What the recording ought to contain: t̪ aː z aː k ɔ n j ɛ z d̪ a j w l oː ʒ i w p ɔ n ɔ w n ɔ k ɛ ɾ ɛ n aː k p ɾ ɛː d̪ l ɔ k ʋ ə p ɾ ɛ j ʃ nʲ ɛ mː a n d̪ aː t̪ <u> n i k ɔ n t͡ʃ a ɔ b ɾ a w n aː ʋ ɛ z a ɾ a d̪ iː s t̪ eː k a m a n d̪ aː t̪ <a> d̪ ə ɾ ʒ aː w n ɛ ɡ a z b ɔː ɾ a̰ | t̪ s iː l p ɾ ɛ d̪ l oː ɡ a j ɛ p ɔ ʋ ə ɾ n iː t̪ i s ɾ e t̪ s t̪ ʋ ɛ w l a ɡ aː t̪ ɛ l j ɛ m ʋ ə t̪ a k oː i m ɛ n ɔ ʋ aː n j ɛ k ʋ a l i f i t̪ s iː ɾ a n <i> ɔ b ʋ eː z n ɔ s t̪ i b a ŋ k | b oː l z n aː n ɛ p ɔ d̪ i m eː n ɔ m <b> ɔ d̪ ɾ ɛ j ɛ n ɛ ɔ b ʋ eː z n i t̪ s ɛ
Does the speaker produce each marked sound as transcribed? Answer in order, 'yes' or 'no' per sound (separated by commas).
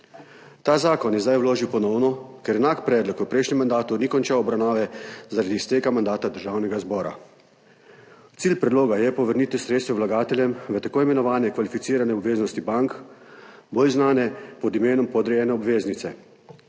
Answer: yes, yes, no, no